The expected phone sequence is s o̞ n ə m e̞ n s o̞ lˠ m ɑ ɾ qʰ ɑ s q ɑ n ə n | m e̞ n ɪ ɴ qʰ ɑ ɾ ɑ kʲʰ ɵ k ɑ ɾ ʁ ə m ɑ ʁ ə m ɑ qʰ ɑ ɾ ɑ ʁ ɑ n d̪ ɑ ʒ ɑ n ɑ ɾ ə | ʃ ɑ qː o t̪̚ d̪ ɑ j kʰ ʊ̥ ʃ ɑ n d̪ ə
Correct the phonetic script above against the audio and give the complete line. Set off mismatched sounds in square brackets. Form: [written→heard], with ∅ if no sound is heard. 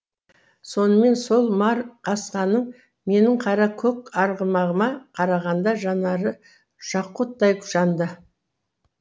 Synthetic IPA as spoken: s o̞ n ə m e̞ n s o̞ lˠ m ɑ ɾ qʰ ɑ s q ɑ n ə [n→ɴ] | m e̞ n ɪ ɴ qʰ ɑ ɾ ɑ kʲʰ ɵ k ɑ ɾ ʁ ə m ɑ ʁ ə m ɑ qʰ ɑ ɾ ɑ ʁ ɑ n d̪ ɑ ʒ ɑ n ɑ ɾ ə | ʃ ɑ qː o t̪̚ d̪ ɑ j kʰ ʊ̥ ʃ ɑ n d̪ ə